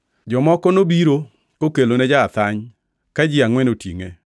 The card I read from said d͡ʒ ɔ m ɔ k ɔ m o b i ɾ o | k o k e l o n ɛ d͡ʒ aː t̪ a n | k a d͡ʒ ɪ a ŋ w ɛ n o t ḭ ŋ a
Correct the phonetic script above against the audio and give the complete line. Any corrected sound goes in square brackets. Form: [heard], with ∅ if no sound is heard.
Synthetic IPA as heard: d͡ʒ ɔ m ɔ k ɔ [n] o b i ɾ o | k o k e l o n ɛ d͡ʒ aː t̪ a [ɲ] | k a d͡ʒ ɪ a ŋ w ɛ n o t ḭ ŋ [e]